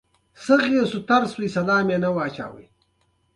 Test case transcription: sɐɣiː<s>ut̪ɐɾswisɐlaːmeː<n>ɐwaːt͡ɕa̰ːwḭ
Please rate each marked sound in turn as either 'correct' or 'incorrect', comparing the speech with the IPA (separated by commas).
correct, correct